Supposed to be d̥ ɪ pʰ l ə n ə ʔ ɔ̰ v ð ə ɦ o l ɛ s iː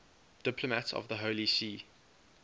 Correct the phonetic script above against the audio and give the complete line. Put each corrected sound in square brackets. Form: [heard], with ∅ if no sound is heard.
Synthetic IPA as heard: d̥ ɪ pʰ l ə [m] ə [t] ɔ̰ v ð ə ɦ o l [i] s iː